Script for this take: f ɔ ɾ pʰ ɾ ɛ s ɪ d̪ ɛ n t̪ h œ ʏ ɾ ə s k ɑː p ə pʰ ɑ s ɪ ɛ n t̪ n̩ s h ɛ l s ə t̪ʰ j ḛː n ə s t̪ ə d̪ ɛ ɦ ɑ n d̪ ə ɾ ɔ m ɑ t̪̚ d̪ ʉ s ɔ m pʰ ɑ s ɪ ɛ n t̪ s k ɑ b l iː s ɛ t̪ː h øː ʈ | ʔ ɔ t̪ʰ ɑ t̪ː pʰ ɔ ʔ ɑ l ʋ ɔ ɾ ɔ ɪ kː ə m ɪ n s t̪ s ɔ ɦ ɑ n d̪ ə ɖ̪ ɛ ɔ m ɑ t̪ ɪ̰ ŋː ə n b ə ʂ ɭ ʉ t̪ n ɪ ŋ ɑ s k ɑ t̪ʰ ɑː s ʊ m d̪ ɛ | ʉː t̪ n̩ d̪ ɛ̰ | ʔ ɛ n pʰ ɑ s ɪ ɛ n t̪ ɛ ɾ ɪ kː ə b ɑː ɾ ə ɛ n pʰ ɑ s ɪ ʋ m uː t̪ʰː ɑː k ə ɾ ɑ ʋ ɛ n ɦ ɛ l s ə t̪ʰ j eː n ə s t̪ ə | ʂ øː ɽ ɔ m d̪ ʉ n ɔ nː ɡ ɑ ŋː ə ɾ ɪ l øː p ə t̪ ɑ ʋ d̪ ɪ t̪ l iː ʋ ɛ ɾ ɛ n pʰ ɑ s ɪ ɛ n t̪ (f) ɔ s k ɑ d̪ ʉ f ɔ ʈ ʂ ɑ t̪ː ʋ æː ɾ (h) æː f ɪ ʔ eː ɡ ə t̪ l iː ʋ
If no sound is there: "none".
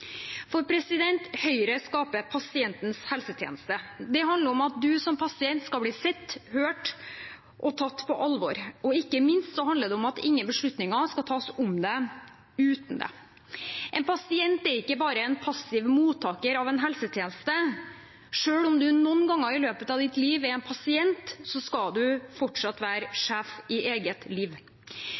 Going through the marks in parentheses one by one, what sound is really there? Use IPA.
s, ʂ

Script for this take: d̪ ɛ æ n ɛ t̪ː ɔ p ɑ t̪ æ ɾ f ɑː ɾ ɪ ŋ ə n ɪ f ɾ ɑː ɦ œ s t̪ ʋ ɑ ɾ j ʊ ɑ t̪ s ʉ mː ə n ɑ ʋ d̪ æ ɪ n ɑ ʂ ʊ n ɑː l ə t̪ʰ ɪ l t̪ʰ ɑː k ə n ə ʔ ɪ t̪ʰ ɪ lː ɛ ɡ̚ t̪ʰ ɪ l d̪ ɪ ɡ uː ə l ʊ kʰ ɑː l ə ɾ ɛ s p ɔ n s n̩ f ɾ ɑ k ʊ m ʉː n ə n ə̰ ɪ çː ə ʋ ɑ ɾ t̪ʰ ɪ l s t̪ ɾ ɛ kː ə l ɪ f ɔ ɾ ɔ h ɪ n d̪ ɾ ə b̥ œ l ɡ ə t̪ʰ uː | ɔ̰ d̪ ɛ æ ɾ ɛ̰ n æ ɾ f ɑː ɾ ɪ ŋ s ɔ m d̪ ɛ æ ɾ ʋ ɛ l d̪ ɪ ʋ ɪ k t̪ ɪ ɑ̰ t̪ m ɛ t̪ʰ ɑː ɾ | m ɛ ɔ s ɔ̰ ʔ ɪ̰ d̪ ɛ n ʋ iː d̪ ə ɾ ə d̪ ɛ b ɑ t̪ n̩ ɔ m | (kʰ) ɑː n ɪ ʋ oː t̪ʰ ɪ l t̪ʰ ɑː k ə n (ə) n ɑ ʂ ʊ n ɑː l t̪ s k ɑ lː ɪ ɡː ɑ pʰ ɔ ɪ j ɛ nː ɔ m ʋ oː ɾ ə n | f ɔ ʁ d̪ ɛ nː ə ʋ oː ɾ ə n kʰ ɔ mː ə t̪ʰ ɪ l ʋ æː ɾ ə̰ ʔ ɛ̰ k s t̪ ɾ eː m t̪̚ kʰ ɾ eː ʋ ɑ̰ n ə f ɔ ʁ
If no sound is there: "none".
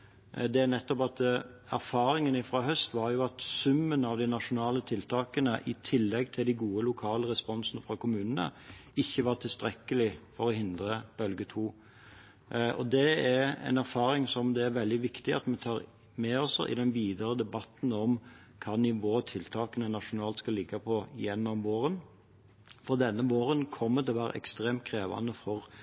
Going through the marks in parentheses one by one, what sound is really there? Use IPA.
kʰ, ə

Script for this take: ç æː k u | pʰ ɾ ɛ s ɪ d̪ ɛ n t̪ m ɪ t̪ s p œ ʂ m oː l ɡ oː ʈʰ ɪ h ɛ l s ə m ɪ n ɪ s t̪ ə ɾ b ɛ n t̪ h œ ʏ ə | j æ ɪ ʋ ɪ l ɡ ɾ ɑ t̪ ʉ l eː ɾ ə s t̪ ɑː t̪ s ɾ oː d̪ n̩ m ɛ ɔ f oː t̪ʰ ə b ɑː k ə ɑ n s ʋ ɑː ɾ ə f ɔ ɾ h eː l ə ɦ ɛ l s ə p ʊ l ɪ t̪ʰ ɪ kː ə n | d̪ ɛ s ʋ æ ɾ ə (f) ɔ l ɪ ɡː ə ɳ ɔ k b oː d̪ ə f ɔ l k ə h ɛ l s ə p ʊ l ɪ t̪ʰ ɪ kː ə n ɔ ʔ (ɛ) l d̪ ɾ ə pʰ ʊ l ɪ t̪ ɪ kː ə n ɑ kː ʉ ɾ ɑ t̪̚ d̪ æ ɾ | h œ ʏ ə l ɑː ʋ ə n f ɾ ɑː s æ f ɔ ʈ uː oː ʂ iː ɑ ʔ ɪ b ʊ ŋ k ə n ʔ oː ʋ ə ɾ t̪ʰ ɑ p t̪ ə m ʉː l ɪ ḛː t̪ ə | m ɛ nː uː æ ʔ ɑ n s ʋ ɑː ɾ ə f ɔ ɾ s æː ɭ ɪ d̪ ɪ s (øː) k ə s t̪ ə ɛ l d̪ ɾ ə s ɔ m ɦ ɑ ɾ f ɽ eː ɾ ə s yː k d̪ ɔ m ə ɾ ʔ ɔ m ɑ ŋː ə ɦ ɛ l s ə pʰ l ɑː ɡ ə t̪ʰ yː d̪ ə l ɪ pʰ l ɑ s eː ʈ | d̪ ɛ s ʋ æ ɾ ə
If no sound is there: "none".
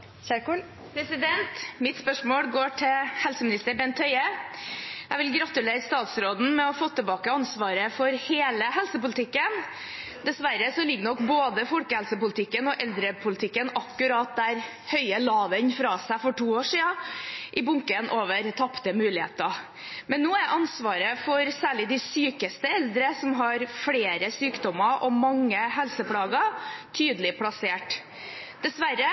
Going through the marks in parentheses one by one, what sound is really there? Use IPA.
s, ɛ, yː

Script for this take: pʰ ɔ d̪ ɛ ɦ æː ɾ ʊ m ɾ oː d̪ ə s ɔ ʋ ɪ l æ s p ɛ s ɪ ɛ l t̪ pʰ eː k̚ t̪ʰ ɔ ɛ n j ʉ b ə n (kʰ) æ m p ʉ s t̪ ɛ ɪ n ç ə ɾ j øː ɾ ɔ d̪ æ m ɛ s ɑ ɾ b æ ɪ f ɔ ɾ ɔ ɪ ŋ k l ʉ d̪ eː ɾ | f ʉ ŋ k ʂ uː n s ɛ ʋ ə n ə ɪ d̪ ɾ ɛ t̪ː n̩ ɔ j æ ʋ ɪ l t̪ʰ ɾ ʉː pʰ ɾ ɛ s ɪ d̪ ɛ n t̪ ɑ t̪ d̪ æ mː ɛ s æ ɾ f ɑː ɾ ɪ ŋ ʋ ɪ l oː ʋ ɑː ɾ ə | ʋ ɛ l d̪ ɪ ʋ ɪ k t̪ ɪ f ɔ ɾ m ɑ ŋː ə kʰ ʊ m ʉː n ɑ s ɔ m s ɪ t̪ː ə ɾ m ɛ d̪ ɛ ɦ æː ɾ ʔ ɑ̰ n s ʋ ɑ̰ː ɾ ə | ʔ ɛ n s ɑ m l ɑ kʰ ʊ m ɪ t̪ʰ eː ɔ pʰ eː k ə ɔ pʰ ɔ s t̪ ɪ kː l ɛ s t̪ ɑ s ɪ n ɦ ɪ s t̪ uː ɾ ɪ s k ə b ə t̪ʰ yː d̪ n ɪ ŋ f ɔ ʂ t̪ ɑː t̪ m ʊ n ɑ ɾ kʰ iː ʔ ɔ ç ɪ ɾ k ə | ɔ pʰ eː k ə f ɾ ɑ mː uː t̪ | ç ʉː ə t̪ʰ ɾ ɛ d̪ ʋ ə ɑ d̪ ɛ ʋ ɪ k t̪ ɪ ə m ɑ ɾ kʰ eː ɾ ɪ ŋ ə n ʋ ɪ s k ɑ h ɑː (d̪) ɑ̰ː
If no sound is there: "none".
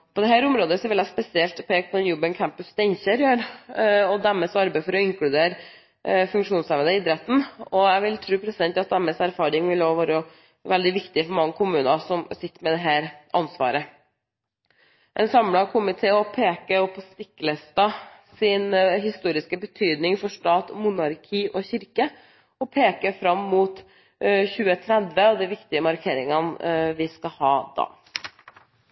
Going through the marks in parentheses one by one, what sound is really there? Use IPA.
kʰ, d̪

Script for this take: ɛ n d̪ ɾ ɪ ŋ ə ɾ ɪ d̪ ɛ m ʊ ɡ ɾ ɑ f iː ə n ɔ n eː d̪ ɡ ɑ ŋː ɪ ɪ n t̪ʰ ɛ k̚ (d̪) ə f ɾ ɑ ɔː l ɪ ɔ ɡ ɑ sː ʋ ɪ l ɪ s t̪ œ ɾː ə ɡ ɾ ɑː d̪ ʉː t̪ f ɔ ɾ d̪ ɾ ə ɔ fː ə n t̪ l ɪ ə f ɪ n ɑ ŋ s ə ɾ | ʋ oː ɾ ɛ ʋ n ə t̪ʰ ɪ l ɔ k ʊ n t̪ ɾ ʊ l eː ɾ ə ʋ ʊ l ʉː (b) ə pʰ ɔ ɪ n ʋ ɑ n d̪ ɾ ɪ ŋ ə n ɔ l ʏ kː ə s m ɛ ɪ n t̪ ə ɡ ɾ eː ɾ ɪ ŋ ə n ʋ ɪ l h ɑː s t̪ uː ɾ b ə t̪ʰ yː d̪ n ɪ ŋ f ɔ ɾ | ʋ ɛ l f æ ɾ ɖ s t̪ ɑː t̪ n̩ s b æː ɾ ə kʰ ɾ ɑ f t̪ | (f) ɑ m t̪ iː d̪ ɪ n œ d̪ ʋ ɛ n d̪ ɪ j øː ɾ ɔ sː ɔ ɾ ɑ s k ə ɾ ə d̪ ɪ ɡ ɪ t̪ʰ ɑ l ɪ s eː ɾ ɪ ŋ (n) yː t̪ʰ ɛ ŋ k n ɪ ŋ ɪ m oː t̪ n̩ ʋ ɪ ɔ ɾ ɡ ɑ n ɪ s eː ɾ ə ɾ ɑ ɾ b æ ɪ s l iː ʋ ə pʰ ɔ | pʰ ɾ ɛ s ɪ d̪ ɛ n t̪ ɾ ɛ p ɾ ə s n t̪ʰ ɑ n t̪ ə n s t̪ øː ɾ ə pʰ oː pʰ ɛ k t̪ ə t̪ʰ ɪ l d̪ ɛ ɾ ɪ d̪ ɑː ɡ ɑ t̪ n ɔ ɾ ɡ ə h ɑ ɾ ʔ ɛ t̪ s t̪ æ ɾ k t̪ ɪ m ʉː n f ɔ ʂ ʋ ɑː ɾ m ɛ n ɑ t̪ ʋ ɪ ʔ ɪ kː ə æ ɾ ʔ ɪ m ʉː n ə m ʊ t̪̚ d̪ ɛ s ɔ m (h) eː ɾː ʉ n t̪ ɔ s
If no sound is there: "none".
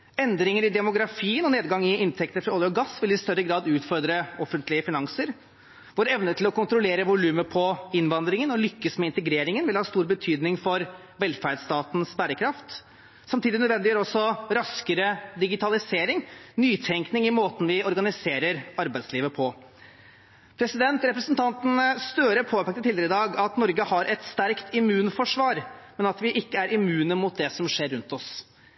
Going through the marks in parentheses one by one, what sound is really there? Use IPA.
t̪, m, s, n, ʂ

